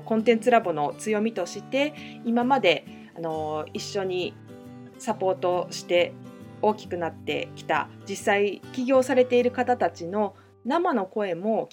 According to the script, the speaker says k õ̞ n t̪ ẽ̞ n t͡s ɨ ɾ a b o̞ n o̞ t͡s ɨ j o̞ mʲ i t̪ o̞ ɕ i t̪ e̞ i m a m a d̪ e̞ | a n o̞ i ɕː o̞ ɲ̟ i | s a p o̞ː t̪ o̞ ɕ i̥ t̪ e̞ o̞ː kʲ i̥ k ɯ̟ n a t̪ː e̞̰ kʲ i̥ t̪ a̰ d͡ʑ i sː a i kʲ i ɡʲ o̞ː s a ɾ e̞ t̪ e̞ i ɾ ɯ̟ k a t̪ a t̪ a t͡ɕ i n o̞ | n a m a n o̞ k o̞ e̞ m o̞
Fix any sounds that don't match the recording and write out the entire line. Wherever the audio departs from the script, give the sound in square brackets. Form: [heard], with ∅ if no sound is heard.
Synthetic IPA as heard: k õ̞ n t̪ ẽ̞ n t͡s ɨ ɾ a b o̞ n o̞ t͡s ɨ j o̞ mʲ i t̪ o̞ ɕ i t̪ e̞ i m a m a d̪ e̞ | a n o̞ i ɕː o̞ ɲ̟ i | s a p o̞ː t̪ o̞ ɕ i̥ t̪ e̞ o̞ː kʲ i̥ k ɯ̟ n a t̪ː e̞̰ kʲ i̥ t̪ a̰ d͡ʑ i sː a i kʲ i ɡʲ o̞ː s a ɾ e̞ t̪ e̞ i ɾ ɯ̟ k a t̪ a t̪ a t͡ɕ i n o̞ | n a m a n o̞ k o̞ e̞ m o̞